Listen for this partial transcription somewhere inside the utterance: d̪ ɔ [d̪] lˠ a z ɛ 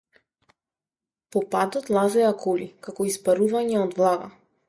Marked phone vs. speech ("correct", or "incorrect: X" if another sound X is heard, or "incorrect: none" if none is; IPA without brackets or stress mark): incorrect: t̪